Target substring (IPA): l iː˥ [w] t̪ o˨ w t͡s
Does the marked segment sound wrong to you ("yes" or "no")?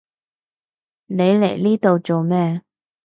yes